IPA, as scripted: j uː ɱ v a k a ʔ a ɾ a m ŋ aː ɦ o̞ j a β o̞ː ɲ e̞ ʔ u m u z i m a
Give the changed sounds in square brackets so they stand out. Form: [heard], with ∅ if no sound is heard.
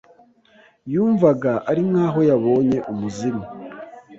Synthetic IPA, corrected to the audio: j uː ɱ v a [ɡ] a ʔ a ɾ [i] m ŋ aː ɦ o̞ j a β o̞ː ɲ e̞ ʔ u m u z i m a